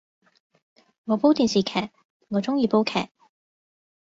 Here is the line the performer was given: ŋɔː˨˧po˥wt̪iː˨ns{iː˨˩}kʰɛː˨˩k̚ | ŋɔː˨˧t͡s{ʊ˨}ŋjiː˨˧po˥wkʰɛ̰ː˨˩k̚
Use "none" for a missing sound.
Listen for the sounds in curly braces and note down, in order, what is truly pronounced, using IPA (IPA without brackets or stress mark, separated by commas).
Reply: iː˨˩, ʊ˥